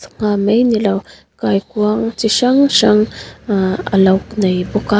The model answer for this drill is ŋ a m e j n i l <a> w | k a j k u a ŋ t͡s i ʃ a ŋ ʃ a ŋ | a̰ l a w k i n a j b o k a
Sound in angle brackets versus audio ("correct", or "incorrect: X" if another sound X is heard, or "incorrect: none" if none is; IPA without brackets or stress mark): correct